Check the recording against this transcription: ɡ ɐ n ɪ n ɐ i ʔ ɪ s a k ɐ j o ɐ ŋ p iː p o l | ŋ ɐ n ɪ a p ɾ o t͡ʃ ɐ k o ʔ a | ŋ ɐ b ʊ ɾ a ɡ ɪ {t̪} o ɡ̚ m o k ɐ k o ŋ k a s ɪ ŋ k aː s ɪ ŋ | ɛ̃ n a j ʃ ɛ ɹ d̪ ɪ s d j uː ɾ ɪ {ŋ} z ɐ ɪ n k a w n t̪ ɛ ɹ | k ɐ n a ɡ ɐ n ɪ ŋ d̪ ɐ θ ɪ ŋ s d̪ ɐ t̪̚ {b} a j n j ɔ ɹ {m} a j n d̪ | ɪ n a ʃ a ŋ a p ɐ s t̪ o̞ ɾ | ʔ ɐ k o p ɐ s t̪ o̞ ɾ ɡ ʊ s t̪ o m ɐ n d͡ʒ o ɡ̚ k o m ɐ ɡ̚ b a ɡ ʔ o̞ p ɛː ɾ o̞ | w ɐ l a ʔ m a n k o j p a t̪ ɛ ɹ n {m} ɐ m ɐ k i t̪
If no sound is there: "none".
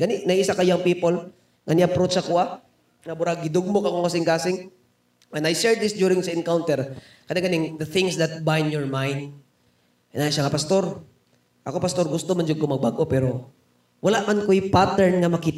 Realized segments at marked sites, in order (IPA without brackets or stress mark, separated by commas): d̪, ŋ, b, m, ŋ